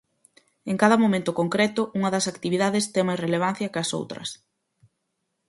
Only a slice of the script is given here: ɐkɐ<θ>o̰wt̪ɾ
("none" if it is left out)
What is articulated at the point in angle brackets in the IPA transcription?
s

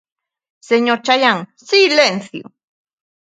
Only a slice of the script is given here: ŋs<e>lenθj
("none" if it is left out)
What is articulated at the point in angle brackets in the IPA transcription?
i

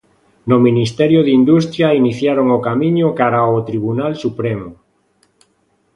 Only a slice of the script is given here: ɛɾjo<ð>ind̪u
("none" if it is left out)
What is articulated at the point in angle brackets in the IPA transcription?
ð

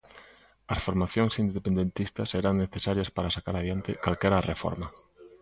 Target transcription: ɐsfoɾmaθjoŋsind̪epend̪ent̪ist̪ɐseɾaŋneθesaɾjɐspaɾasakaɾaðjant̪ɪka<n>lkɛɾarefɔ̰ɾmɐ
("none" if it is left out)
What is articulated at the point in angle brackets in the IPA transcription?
none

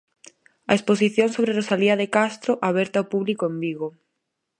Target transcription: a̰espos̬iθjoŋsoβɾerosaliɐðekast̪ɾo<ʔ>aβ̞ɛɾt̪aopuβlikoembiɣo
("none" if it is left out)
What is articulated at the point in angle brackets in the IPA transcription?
ʔ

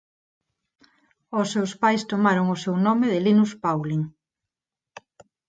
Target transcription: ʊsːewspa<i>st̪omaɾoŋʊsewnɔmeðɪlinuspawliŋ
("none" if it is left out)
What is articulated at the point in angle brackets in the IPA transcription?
j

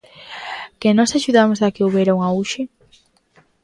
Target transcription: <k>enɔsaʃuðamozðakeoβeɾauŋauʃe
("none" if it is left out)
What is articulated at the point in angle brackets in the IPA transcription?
k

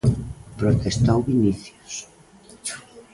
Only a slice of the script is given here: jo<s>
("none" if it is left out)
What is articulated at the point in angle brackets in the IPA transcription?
s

